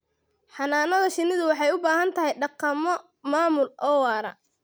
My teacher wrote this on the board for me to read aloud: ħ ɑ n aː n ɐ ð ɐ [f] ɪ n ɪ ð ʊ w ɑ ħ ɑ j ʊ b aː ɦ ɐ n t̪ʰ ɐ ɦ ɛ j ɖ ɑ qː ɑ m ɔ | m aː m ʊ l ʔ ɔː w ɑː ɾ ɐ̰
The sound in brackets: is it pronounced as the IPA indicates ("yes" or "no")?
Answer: no